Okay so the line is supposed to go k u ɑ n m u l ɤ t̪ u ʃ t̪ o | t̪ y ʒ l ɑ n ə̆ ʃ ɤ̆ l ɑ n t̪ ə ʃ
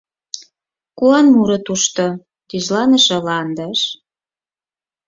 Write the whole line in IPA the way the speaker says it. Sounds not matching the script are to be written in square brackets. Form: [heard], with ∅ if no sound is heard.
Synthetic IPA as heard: k u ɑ n m u [ɾ] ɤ t̪ u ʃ t̪ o | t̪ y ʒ l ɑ n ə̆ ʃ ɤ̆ l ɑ n [d̪] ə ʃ